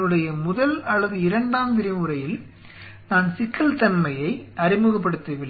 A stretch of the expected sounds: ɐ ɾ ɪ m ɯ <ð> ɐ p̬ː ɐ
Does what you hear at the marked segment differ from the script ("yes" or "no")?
yes